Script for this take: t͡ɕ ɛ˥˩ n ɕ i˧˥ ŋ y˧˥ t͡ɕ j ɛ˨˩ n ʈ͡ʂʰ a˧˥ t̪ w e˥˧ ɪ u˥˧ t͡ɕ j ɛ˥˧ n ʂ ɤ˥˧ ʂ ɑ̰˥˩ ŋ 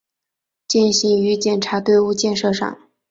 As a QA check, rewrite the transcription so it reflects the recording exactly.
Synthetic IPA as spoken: t͡ɕ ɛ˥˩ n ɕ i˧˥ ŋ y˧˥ t͡ɕ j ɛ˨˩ n ʈ͡ʂʰ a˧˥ t̪ w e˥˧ ɪ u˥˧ t͡ɕ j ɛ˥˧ n ʂ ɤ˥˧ ʂ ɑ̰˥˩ ŋ